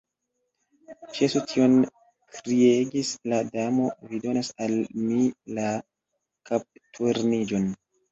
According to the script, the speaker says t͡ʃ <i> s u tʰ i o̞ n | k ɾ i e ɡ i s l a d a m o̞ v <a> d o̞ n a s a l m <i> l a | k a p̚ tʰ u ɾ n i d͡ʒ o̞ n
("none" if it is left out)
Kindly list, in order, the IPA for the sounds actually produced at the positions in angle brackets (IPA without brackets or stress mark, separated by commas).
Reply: e, i, i